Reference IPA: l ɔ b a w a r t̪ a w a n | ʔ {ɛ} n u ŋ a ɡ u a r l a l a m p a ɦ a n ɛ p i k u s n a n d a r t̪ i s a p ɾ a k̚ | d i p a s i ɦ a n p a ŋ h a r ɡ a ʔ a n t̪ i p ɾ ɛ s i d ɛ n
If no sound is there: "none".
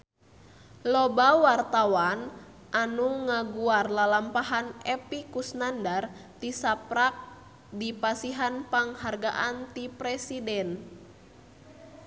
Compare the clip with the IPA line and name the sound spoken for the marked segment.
a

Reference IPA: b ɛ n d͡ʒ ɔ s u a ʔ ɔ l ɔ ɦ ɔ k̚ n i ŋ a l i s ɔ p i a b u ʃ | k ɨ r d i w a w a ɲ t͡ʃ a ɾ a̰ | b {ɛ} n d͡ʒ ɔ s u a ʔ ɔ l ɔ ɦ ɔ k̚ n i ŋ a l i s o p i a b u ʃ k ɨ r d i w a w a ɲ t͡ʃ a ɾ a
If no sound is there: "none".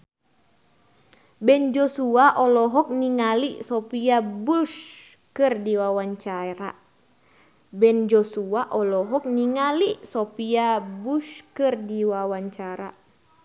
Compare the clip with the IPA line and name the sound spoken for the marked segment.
ɛ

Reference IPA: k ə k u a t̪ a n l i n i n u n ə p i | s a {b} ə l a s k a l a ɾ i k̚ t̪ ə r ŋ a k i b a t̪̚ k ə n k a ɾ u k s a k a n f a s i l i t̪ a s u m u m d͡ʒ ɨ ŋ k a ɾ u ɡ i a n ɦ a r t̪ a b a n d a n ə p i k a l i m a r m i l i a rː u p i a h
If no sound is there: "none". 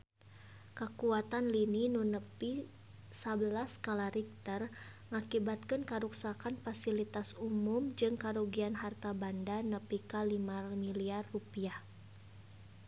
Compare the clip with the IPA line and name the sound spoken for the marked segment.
b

